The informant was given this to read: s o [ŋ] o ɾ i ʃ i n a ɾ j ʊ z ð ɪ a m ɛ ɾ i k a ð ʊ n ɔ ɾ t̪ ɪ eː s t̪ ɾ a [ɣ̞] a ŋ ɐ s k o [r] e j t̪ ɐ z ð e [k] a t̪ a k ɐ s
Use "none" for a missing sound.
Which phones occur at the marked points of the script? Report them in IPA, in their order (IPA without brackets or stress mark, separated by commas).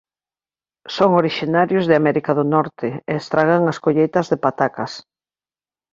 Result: ŋ, ɣ̞, ʎ, p